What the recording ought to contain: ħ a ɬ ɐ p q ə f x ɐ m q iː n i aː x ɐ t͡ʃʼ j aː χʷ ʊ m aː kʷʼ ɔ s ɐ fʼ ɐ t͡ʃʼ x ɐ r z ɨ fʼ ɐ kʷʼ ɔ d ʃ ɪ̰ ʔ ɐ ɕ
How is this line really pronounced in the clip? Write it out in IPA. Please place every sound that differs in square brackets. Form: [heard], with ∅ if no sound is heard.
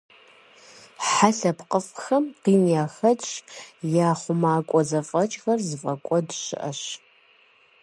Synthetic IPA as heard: ħ a ɬ ɐ p q ə f x ɐ m q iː n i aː x ɐ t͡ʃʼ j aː χʷ ʊ m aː kʷʼ ɔ [z] ɐ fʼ ɐ t͡ʃʼ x ɐ r z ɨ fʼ ɐ kʷʼ ɔ d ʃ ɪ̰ ʔ ɐ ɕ